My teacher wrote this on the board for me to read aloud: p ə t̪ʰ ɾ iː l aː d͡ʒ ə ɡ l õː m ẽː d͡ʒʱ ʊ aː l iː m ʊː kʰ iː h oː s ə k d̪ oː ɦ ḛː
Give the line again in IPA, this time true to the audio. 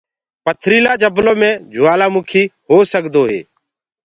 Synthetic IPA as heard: p ə t̪ʰ ɾ iː l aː d͡ʒ ə b l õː m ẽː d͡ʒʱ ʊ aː l aː m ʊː kʰ iː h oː s ə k d̪ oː ɦ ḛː